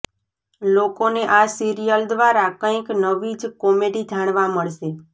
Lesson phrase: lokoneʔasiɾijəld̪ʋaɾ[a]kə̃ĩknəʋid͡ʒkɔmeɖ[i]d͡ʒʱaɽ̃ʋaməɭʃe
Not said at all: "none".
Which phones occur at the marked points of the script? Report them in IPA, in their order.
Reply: a, i

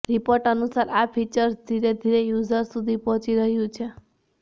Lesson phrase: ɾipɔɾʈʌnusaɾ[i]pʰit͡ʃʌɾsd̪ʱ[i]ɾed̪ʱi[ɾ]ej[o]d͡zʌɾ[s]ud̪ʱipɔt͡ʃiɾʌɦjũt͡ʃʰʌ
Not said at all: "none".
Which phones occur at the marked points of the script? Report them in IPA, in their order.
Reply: a, i, ɾ, u, s

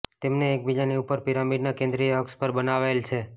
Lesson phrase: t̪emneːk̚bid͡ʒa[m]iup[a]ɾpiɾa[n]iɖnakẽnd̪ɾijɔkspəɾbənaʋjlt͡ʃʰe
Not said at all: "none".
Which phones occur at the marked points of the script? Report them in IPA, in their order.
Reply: n, ə, m

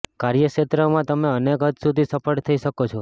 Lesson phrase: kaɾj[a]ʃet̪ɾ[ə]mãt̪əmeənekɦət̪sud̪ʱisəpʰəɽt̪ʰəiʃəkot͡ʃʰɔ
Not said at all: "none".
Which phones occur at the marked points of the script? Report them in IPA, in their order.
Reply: ə, ə

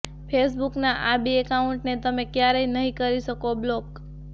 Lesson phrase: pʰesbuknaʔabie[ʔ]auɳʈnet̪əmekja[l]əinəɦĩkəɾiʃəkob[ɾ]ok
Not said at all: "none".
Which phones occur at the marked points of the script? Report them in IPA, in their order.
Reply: k, ɾ, l

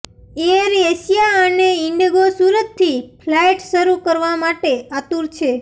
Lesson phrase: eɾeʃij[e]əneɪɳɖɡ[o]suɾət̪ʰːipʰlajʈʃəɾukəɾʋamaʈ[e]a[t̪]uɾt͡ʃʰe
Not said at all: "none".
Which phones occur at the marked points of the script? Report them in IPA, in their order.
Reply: a, o, e, t̪

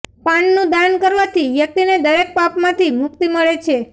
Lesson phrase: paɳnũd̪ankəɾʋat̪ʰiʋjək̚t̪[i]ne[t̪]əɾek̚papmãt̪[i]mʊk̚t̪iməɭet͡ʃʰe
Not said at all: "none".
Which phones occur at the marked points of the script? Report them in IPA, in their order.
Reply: i, d̪, i

